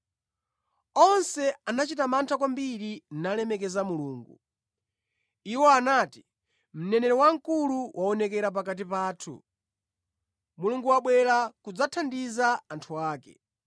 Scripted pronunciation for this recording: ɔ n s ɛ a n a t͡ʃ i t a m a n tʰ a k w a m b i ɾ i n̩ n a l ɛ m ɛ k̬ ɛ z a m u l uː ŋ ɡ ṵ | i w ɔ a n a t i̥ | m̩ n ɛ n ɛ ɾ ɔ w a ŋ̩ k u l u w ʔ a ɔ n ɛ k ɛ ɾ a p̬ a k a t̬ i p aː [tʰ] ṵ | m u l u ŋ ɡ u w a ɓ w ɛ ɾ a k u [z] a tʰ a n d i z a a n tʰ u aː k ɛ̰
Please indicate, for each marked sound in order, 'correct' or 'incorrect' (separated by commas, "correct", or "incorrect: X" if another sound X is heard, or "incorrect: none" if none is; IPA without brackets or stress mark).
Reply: correct, incorrect: d͡z